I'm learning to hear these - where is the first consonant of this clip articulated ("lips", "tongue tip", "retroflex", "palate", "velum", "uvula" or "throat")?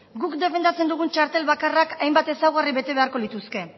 velum